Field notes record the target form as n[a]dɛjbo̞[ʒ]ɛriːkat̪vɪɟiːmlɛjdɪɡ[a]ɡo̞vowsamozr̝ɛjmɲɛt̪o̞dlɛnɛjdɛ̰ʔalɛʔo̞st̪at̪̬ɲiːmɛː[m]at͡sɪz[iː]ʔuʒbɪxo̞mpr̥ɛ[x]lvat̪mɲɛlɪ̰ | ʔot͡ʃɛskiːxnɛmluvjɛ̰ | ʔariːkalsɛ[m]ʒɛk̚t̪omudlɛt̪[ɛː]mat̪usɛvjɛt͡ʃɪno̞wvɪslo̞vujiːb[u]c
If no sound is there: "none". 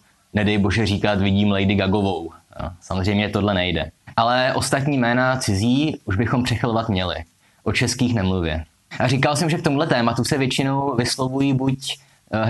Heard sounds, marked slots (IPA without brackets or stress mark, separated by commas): ɛ, ʒ, a, n, iː, x, m, ɛː, u